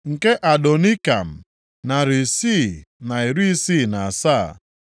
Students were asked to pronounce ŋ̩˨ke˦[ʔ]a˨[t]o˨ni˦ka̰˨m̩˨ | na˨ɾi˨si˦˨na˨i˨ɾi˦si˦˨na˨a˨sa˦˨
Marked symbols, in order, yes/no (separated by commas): yes, no